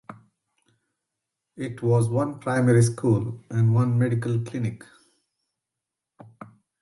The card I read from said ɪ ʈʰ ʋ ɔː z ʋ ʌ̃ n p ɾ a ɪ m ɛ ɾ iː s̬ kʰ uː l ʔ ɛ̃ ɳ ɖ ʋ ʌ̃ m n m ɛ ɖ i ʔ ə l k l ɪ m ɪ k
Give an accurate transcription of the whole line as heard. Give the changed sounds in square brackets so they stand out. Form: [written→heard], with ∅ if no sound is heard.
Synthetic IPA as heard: ɪ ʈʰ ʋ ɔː z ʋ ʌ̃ n p ɾ a ɪ m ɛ ɾ [iː→i] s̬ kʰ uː l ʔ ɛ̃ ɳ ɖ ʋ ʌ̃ [m→∅] n m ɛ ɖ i [ʔ→k] ə l k l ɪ [m→n] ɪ k